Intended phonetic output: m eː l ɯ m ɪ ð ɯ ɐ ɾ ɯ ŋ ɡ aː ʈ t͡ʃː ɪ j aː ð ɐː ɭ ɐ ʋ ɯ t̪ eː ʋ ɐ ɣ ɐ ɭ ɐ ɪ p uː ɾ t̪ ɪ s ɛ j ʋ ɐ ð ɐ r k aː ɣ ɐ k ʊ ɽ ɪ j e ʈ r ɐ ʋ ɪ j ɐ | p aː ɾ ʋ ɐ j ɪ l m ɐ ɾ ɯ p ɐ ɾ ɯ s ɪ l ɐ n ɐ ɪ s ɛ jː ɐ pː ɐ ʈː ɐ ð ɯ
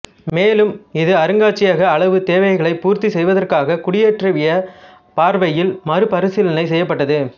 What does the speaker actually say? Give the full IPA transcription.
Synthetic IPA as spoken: m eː l ɯ m ɪ ð ɯ ɐ ɾ ɯ ŋ ɡ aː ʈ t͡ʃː ɪ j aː ɣ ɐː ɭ ɐ ʋ ɯ t̪ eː ʋ ɐ ɣ ɐ ɭ ɐ ɪ p uː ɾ t̪ i s ɛ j ʋ ɐ ð ɐ r k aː ɣ ɐ k ʊ ɽ ɪ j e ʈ r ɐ ʋ ɪ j ɐ | p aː ɾ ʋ ɐ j ɪ l m ɐ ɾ ɯ p ɐ ɾ ɯ s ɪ l ɐ n ɐ ɪ s ɛ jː ɐ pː ɐ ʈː ɐ ð ɯ